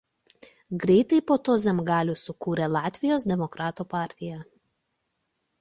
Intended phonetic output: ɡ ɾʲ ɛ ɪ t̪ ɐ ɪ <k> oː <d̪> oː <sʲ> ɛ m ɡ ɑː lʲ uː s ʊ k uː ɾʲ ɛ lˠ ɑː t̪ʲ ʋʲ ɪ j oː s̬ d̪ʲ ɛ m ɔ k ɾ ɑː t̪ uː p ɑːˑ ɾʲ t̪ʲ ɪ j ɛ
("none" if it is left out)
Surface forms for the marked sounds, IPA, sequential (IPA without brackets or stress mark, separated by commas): p, t̪, zʲ